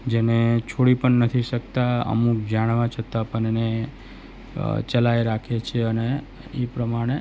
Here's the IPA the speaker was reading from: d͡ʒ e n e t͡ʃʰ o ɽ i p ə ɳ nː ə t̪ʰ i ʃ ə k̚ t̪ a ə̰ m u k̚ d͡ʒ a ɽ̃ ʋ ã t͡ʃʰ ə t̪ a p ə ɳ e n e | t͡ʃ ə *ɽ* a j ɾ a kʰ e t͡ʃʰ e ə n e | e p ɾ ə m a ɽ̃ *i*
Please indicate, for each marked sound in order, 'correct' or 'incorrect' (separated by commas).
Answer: incorrect, incorrect